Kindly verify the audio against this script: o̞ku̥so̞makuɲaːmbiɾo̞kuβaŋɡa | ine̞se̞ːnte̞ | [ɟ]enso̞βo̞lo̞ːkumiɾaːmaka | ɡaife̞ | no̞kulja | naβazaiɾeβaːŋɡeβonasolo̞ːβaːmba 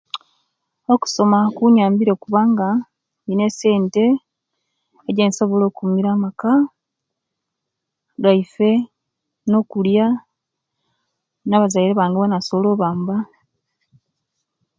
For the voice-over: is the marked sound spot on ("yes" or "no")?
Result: yes